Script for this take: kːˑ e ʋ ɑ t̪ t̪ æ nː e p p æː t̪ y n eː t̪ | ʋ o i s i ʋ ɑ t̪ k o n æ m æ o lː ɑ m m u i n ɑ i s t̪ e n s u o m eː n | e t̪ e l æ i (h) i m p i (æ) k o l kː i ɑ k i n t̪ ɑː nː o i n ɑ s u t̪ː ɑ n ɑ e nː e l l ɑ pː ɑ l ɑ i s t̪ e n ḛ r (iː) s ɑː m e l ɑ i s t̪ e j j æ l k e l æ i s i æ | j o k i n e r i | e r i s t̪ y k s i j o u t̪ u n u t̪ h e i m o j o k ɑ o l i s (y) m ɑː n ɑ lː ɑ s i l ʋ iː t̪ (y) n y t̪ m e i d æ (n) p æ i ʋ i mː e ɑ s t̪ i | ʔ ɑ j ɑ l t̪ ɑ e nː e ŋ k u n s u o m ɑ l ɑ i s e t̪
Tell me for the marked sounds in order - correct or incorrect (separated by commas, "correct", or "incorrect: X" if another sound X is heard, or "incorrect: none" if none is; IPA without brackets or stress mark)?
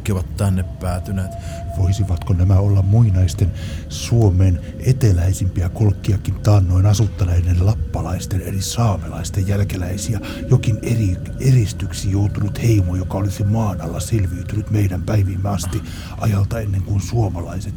incorrect: s, correct, incorrect: i, incorrect: i, correct, incorrect: m